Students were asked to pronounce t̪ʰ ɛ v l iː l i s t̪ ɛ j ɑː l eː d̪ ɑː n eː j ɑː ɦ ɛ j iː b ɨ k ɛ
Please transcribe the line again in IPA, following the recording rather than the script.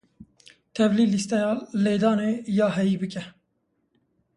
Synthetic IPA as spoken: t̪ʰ ɛ v l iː l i s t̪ ɛ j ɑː l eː d̪ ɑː n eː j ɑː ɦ ɛ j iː b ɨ k ɛ